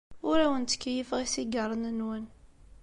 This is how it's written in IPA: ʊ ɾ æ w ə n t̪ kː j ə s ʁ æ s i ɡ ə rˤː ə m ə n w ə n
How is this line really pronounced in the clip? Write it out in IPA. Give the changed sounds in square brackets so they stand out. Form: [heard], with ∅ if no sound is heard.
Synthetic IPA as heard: ʊ ɾ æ w ə n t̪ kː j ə [f] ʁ [i] s i ɡ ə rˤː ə [n] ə n w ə n